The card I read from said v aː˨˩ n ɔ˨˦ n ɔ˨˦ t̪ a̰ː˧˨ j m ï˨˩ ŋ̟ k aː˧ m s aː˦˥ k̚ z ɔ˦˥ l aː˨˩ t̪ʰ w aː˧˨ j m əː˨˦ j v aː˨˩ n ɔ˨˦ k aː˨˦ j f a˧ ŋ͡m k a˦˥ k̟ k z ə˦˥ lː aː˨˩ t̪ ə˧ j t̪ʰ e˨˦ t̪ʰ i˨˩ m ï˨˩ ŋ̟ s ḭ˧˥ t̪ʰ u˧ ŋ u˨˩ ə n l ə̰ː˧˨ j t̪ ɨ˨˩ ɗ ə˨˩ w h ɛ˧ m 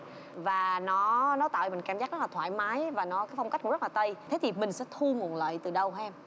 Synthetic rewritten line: v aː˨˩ n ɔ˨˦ n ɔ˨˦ t̪ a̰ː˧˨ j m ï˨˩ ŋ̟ k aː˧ m z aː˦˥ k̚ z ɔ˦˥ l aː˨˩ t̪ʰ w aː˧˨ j m aː˨˦ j v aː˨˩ n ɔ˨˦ k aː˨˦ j f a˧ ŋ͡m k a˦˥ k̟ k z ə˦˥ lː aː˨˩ t̪ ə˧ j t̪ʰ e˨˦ t̪ʰ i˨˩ m ï˨˩ ŋ̟ s ɛ̰˧˥ t̪ʰ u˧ ŋ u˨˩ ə n l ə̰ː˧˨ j t̪ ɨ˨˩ ɗ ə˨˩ w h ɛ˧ m